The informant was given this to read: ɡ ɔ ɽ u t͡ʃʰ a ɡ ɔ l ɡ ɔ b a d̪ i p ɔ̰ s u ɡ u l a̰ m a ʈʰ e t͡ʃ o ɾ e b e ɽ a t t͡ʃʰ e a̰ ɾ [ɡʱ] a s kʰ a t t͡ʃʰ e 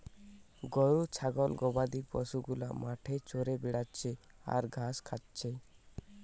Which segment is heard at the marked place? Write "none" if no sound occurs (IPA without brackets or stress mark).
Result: ɡʱ